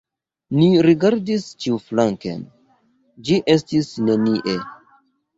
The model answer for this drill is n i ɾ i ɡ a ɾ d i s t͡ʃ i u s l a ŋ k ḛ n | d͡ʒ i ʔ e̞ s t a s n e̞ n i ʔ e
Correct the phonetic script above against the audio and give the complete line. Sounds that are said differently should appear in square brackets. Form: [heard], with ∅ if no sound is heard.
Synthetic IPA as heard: n i ɾ i ɡ a ɾ d i s t͡ʃ i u [f] l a ŋ k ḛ n | d͡ʒ i ʔ e̞ s t [i] s n e̞ n i ʔ e